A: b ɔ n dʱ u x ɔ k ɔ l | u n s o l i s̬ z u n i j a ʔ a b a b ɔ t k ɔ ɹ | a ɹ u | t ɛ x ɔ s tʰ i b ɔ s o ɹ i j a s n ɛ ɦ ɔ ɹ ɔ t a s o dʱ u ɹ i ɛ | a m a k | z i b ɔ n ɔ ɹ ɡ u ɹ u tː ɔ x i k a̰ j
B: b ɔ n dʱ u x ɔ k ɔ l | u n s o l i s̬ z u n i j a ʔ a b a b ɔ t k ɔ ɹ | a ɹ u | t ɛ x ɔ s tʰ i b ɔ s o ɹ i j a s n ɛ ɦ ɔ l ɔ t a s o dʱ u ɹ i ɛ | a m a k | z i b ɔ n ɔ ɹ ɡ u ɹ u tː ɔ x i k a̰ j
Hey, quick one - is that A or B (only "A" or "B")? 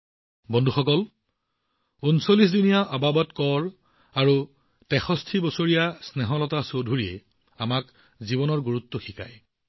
B